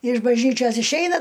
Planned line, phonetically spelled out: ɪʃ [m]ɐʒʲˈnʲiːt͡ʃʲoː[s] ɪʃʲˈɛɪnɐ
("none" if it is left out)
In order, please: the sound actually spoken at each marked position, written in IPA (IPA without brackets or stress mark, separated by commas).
b, s